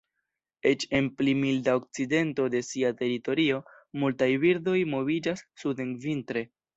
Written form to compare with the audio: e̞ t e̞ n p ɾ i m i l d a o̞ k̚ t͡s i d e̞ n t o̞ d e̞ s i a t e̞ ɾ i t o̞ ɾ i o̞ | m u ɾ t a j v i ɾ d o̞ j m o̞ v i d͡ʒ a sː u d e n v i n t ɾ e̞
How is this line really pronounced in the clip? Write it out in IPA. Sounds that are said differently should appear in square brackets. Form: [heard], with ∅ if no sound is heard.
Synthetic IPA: e̞ [t͡ʃ] e̞ n p [l] i m i l d a o̞ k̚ t͡s i d e̞ n t o̞ d e̞ s i a t e̞ ɾ i t o̞ ɾ i o̞ | m u [l] t a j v i ɾ d o̞ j m o̞ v i d͡ʒ a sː u d e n v i n t ɾ e̞